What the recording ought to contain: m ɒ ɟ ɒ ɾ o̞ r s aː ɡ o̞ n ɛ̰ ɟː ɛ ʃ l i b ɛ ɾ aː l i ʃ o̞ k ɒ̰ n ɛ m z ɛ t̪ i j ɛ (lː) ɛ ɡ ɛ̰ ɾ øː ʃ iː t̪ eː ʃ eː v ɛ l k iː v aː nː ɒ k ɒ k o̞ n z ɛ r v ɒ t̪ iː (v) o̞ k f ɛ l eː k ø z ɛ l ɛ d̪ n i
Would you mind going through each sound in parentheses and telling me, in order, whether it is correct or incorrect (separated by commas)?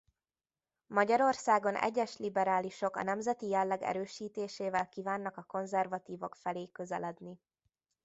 correct, correct